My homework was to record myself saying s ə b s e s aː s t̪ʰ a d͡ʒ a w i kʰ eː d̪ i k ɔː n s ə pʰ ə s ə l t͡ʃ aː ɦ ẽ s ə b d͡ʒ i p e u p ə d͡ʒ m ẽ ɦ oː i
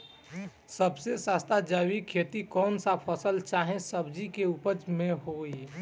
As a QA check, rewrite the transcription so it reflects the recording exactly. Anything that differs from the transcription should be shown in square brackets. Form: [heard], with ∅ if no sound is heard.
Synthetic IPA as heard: s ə b s e s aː s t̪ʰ a d͡ʒ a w i kʰ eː [t̪] i k ɔː n s [a] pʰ ə s ə l t͡ʃ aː ɦ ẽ s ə b d͡ʒ i [k] e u p ə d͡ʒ m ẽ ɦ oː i